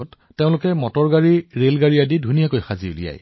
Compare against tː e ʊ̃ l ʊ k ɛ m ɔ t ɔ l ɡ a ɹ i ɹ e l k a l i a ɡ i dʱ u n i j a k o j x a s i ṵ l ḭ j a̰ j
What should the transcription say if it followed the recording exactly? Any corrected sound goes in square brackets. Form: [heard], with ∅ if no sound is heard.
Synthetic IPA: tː e ʊ̃ l ʊ k ɛ m ɔ t ɔ [ɹ] ɡ a ɹ i ɹ e l [ɡ] a [ɹ] i a [d] i dʱ u n i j a k o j x a [z] i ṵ l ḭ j a̰ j